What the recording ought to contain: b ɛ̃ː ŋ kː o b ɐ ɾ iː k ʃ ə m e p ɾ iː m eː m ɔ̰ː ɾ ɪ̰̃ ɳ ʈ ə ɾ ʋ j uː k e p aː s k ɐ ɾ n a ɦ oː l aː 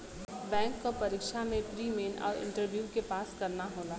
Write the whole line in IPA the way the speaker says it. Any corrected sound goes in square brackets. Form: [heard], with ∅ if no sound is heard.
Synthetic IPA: b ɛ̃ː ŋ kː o [p] ɐ ɾ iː k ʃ [a] m [ẽ] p ɾ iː m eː [n] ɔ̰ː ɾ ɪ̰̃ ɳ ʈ ə ɾ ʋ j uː k e p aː s k ɐ ɾ n a ɦ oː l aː

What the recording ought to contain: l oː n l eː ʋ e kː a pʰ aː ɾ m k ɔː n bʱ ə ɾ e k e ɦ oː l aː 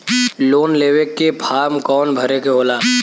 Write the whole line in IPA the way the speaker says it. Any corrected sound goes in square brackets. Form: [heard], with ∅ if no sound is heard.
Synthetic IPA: l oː n l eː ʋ e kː [e] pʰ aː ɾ m k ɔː n bʱ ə ɾ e k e ɦ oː l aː

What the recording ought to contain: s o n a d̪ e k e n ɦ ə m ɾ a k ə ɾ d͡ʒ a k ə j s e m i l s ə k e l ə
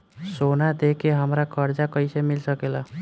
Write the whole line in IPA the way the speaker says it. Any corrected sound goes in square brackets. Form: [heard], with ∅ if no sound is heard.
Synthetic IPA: s o n a d̪ e k e [∅] ɦ ə m ɾ a k ə ɾ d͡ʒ a k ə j s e m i l s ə k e l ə

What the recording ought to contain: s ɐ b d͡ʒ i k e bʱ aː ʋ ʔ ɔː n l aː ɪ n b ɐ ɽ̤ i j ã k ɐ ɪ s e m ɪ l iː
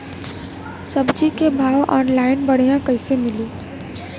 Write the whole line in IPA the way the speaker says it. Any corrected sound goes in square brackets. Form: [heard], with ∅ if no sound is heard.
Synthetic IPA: s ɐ b d͡ʒ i k e bʱ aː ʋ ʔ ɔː n l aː ɪ n b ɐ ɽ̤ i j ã k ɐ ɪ s e m ɪ l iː

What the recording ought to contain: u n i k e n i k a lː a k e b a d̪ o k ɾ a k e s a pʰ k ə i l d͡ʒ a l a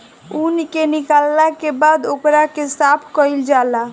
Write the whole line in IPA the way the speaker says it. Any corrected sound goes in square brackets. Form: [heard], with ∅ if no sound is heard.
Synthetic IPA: u n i k e n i k a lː a k e b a d̪ o k ɾ a k e s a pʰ k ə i l d͡ʒ a l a

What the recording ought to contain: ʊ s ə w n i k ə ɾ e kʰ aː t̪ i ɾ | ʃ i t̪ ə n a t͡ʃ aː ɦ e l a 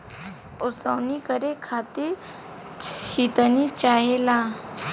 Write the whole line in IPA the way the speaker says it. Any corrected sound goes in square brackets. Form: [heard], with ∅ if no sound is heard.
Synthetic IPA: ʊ s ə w n i k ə ɾ e kʰ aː t̪ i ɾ | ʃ i t̪ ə n [i] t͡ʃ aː ɦ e l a

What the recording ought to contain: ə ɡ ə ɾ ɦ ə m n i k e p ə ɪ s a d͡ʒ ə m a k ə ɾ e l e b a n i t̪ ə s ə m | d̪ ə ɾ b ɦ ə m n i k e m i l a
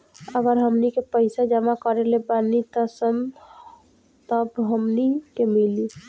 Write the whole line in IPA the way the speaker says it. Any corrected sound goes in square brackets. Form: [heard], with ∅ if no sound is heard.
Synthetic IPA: ə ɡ ə ɾ ɦ ə m n i k e p ə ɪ s a d͡ʒ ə m a k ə ɾ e l e b a n i t̪ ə s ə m | [t̪] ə [∅] b ɦ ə m n i k e m i l [i]

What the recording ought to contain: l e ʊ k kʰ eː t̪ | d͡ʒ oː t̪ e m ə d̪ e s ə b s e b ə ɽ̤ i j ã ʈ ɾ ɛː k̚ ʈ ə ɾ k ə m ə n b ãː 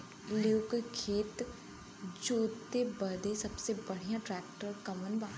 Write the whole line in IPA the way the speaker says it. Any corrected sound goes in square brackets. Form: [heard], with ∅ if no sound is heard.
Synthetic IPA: l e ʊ k kʰ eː t̪ | d͡ʒ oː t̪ e [b] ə d̪ e s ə b s e b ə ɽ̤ i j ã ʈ ɾ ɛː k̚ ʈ ə ɾ k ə m ə n b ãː

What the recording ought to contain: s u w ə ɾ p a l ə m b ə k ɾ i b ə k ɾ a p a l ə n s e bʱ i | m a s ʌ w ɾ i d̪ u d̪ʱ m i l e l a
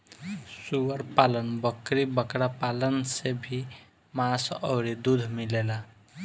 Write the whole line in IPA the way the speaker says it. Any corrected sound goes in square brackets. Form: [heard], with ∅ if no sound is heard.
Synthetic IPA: s u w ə ɾ p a l ə [n] b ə k ɾ i b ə k ɾ a p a l ə n s e bʱ i | m a s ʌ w ɾ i d̪ u d̪ʱ m i l e l a

